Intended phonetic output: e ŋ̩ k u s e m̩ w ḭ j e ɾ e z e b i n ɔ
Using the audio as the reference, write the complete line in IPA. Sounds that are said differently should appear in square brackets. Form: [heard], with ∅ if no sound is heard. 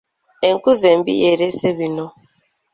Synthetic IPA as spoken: e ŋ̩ k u [z] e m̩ [b] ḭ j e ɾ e [s] e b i n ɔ